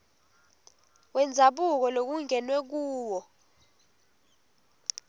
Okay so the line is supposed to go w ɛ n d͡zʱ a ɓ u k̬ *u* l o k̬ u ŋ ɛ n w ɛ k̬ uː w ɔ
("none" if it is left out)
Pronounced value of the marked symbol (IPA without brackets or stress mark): ɔ